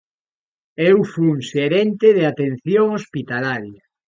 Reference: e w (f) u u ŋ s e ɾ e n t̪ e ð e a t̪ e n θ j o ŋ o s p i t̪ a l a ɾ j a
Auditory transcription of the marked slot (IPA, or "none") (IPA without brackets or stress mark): f